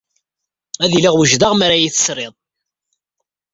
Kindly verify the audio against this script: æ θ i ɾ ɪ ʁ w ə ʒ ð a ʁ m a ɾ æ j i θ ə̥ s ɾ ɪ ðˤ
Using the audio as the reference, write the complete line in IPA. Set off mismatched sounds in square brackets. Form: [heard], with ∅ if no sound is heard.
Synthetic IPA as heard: æ [ð] i [l] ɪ ʁ w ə ʒ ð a ʁ m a ɾ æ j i θ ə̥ s ɾ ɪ ðˤ